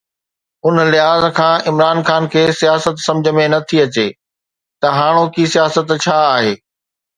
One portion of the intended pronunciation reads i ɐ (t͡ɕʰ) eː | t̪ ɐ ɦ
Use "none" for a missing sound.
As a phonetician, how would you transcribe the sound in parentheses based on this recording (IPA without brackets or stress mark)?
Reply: t͡ɕ